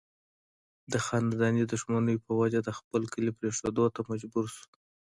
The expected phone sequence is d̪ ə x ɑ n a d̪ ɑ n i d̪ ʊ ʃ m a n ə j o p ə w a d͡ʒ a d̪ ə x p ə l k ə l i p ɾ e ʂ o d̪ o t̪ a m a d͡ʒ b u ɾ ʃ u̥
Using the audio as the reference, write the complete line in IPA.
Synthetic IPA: d̪ ə x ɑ n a d̪ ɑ n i d̪ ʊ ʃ m a n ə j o p ə w a d͡ʒ a d̪ ə x p ə l k ə l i p ɾ e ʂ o d̪ o t̪ a m a d͡ʒ b u ɾ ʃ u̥